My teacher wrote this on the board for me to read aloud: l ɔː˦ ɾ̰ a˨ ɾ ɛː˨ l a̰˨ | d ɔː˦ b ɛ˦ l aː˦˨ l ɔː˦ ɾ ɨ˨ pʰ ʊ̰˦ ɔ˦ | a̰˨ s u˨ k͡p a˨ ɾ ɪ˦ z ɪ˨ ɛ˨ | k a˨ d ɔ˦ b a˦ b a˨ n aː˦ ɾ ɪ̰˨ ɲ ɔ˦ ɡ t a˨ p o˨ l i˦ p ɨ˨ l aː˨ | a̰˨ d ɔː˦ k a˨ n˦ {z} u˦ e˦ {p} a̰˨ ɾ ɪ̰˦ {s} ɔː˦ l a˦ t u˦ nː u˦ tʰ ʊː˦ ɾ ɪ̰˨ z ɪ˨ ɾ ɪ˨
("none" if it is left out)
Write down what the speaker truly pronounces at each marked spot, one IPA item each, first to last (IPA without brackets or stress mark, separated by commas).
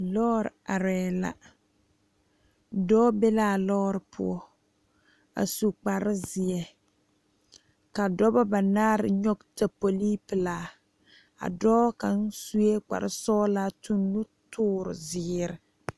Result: s, k͡p, s